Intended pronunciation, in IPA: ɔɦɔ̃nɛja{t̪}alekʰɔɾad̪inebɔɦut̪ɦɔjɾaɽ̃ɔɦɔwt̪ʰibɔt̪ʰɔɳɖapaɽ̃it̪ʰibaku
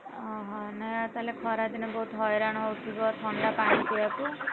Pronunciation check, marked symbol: correct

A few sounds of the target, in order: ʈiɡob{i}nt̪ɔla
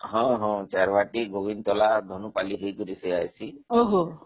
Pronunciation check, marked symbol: correct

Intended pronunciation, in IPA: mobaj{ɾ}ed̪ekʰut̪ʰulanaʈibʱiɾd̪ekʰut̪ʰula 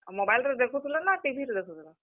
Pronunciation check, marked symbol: incorrect: l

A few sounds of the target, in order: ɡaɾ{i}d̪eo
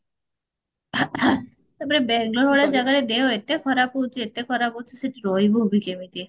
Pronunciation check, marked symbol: incorrect: e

